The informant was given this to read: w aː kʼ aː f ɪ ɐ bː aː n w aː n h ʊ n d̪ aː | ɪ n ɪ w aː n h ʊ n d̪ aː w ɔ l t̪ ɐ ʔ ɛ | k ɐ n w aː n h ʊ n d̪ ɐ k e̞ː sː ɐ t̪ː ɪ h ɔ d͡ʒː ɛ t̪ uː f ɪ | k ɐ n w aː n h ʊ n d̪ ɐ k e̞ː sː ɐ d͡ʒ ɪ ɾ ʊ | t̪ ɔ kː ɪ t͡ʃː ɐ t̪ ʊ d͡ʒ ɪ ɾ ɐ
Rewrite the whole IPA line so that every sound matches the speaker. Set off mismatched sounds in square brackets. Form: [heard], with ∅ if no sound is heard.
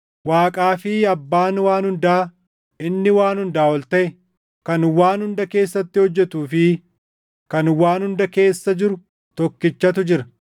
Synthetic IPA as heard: w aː kʼ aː f ɪ ɐ bː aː n w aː n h ʊ n d̪ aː | ɪ [nː] ɪ w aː n h ʊ n d̪ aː w ɔ l t̪ ɐ ʔ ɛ | k ɐ n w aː n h ʊ n d̪ ɐ k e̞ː sː ɐ t̪ː ɪ h ɔ d͡ʒː ɛ t̪ uː f ɪ | k ɐ n w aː n h ʊ n d̪ ɐ k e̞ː sː ɐ d͡ʒ ɪ ɾ ʊ | t̪ ɔ kː ɪ t͡ʃː ɐ t̪ ʊ d͡ʒ ɪ ɾ ɐ